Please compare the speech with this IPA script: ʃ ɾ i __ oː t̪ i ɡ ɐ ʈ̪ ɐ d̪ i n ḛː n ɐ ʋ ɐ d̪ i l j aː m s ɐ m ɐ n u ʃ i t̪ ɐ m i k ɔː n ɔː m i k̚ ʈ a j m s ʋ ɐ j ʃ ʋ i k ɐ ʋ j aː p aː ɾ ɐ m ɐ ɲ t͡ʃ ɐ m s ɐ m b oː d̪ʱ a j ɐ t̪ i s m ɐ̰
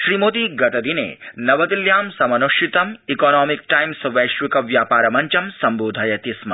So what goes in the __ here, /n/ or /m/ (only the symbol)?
m